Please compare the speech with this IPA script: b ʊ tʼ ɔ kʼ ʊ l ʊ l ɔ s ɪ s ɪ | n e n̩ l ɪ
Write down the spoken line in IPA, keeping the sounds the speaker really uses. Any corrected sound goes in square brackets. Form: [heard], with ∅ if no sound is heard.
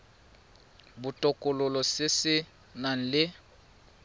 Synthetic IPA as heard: b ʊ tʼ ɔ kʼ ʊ l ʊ l ɔ s ɪ s ɪ | n [a] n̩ l ɪ